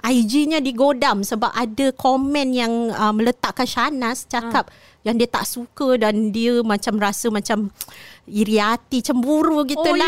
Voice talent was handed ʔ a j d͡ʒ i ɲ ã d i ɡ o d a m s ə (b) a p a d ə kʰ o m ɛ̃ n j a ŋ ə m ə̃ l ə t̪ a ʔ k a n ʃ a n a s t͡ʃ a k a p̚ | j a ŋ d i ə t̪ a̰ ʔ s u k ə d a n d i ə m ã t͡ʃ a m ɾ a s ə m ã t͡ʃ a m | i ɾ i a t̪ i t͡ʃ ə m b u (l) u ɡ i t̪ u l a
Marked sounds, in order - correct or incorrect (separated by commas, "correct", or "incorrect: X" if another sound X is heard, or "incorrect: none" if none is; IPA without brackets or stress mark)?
correct, incorrect: ɾ